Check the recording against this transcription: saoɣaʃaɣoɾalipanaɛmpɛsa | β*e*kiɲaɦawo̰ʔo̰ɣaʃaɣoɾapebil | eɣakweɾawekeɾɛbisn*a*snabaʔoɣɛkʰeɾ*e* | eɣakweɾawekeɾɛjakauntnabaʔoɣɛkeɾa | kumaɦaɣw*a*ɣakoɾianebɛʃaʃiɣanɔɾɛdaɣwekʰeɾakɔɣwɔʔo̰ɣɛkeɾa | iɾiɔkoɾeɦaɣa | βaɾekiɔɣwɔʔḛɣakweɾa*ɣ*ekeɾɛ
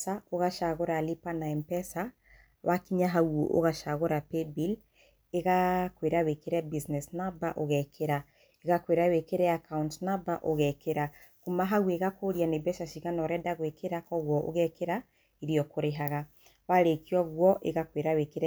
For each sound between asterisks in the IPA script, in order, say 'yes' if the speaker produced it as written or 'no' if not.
no, no, no, no, no

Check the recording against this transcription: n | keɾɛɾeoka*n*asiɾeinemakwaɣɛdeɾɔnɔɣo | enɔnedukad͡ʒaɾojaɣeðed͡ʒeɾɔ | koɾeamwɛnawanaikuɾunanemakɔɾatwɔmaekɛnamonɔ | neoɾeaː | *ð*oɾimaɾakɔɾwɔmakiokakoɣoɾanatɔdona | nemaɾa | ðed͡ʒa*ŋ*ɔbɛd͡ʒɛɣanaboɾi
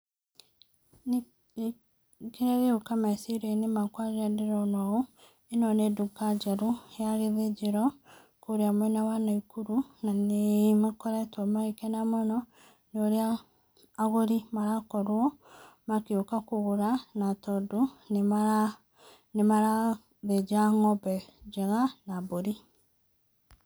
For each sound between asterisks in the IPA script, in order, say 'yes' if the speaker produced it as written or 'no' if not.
no, no, yes

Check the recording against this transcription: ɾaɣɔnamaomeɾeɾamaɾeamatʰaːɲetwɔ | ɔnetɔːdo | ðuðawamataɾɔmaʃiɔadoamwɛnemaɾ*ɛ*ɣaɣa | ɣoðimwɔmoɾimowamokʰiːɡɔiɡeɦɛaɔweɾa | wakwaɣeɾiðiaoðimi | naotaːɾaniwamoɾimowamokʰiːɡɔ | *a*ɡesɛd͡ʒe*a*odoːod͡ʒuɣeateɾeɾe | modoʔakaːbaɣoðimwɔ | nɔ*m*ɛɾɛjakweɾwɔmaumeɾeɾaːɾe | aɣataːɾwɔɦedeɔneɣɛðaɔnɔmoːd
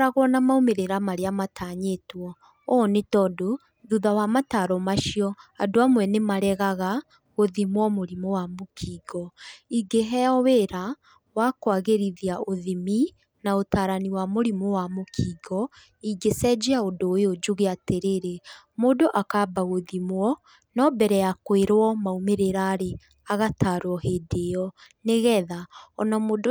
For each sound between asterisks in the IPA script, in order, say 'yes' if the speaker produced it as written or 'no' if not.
yes, no, yes, no

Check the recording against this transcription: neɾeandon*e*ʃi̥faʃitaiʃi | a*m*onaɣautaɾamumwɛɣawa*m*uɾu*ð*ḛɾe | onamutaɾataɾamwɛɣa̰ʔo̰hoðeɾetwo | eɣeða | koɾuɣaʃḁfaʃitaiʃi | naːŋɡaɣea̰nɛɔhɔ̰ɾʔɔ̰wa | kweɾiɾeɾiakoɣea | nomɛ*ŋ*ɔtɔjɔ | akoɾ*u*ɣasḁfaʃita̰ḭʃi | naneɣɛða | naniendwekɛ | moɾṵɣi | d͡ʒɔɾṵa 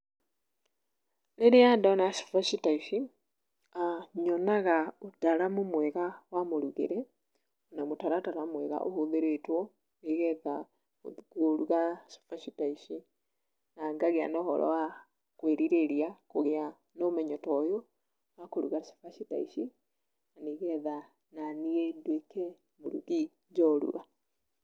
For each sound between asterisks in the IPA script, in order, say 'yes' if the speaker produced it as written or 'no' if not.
no, no, yes, no, no, yes

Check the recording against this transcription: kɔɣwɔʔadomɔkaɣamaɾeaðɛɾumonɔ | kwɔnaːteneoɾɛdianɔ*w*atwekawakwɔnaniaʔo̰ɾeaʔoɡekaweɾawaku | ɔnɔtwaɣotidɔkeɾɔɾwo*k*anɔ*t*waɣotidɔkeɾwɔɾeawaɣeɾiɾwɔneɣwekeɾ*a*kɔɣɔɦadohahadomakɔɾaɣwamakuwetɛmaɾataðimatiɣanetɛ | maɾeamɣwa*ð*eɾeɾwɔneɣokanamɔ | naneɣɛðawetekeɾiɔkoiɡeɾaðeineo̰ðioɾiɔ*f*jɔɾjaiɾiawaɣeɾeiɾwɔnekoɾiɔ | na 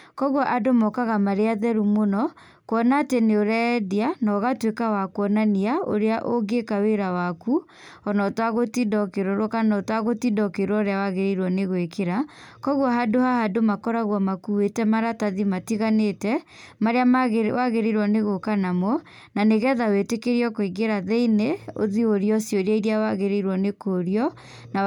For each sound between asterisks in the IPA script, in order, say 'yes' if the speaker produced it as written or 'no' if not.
no, yes, yes, yes, no, no

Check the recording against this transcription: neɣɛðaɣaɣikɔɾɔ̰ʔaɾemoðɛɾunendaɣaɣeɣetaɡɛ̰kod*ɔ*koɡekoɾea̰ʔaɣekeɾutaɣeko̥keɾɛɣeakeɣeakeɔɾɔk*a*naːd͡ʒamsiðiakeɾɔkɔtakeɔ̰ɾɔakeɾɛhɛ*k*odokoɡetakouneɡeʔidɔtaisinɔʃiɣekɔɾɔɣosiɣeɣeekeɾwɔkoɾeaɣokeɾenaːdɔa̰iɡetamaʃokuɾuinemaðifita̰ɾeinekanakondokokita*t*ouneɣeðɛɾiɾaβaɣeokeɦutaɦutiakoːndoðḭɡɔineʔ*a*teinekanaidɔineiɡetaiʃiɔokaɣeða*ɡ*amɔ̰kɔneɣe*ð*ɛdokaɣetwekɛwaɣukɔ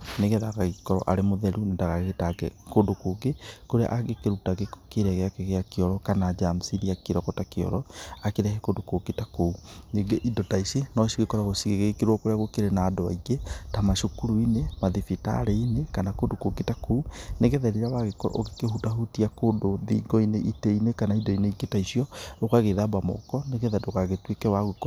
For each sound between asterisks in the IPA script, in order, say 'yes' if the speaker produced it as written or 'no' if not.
no, yes, yes, no, no, no, yes

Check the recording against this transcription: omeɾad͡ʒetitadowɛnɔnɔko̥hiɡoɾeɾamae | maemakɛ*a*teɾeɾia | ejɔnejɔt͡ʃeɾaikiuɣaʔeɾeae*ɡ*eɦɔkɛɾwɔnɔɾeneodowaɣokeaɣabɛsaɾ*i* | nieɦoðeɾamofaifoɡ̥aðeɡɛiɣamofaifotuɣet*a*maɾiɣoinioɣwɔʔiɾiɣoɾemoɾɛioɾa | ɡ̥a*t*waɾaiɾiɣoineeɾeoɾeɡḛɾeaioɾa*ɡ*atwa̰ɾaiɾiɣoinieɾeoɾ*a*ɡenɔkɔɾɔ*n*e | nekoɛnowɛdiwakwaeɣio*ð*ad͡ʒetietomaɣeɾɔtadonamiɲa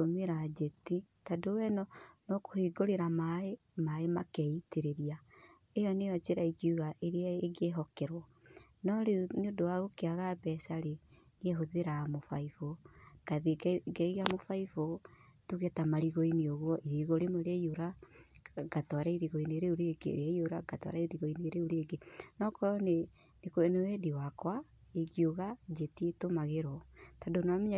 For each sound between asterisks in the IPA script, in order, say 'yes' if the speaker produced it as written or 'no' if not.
no, yes, no, yes, yes, yes, no, yes, no

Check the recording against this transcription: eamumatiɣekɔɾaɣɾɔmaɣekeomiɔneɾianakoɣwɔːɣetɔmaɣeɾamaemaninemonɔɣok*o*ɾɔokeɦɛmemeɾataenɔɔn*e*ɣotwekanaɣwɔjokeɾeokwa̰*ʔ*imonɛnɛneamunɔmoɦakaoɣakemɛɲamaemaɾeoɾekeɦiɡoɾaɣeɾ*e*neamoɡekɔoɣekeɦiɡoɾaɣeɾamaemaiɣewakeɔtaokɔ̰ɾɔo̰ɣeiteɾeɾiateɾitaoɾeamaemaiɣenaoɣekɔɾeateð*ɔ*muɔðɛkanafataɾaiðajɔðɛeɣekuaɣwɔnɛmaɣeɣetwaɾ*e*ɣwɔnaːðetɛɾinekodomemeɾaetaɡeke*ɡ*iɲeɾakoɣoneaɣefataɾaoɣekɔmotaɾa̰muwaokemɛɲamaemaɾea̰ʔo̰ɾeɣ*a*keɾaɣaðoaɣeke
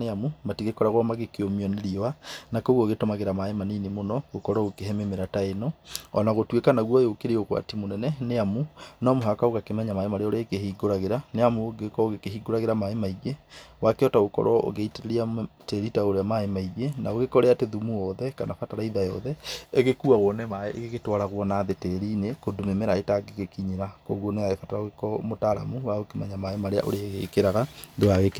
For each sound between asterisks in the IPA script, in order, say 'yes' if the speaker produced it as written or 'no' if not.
no, no, no, no, no, no, no, no

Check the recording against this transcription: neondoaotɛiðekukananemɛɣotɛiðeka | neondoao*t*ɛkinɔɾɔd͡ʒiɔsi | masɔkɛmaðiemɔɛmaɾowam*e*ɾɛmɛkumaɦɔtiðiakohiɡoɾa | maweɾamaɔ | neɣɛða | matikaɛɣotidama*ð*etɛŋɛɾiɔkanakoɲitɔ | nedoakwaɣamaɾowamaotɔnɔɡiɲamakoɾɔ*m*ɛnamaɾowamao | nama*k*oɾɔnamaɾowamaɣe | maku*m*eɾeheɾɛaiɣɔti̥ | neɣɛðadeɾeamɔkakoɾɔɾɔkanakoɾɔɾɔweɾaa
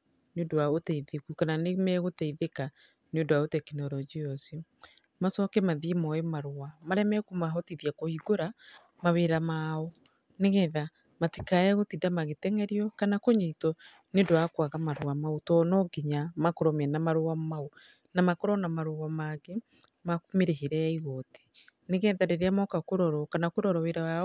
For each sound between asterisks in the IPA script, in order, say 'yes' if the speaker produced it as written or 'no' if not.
yes, no, no, yes, yes, yes

